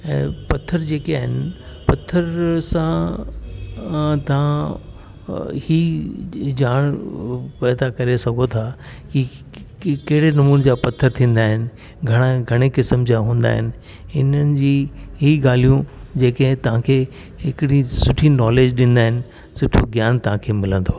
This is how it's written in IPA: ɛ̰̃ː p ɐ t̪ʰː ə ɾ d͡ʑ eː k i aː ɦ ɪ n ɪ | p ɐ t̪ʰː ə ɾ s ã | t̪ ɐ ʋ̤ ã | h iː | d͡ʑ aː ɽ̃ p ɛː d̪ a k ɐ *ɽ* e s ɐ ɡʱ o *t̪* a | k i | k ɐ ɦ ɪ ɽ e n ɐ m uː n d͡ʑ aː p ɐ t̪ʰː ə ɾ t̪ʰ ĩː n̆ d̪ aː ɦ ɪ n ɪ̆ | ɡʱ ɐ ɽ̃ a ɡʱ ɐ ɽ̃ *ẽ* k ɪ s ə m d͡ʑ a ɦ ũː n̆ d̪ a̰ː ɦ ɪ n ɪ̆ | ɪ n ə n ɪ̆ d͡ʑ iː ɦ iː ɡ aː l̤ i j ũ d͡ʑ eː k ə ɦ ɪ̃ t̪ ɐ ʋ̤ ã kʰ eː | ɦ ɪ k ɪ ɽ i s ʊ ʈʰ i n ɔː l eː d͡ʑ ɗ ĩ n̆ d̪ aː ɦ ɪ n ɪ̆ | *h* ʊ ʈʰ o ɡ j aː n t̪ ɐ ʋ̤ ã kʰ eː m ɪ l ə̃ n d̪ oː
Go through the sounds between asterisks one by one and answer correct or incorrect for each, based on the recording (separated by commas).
incorrect, incorrect, incorrect, incorrect